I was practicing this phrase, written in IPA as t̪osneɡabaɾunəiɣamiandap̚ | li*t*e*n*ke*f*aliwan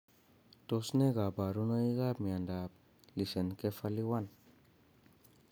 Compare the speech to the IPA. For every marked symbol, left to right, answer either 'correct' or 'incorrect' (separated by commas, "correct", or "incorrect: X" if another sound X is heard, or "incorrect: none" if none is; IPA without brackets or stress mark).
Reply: incorrect: s, correct, correct